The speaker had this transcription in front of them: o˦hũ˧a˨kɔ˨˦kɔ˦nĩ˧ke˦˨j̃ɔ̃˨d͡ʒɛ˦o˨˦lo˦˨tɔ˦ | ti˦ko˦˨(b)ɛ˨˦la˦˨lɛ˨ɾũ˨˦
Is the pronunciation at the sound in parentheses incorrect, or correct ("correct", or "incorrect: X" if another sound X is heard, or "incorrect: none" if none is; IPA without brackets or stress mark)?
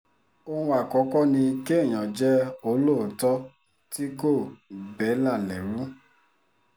correct